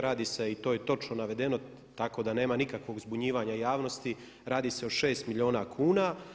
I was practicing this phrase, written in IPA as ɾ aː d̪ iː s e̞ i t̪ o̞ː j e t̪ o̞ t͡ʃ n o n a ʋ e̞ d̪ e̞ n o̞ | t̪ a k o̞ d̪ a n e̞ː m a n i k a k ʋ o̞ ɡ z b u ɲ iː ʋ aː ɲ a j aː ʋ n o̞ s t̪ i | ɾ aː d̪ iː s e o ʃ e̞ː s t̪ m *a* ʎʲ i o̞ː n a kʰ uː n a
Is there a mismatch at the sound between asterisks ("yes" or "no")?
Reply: yes